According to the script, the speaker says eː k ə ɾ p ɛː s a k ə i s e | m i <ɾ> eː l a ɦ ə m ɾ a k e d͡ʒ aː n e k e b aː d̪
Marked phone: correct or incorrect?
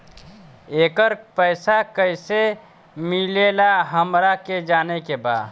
incorrect: l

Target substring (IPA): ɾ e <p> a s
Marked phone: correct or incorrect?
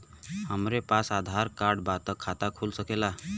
correct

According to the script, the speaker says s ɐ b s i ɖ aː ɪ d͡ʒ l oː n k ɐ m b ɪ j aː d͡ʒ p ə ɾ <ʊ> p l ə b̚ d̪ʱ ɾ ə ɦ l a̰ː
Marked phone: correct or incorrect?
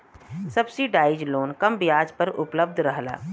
correct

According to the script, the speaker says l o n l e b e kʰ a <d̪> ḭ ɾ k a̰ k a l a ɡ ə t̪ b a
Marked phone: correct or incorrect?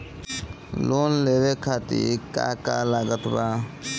incorrect: t̪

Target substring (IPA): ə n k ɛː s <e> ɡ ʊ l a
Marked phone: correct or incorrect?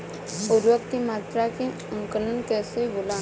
correct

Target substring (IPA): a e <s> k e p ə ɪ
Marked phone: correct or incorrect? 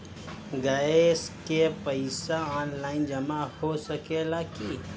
correct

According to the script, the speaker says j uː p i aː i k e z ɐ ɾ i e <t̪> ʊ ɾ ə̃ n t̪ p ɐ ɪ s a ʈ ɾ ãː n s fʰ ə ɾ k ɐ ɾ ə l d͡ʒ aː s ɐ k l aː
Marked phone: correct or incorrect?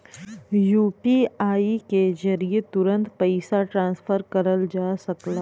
correct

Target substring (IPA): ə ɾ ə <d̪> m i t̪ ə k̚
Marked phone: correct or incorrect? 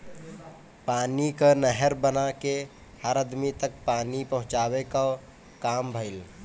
correct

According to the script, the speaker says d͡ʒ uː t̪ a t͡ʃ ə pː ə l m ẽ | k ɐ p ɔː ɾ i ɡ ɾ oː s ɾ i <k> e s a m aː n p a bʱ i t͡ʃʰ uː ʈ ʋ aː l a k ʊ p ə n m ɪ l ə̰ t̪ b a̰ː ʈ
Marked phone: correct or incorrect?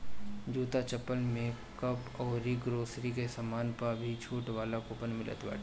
correct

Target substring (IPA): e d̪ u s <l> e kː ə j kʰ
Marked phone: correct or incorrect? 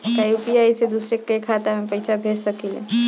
incorrect: ɾ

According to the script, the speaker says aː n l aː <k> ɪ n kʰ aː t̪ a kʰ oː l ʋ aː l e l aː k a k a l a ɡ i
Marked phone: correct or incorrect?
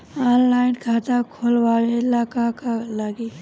incorrect: none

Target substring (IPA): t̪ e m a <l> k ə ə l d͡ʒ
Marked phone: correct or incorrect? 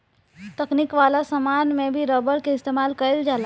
correct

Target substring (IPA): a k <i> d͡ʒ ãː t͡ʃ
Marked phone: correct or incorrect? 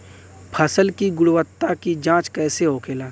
correct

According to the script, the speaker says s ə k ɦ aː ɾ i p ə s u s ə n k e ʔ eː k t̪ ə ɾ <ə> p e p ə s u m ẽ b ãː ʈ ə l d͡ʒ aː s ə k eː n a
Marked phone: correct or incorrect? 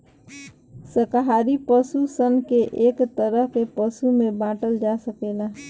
correct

